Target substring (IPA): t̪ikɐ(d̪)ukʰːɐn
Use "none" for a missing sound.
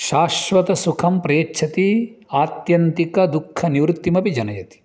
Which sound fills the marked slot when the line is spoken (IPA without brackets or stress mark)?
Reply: d̪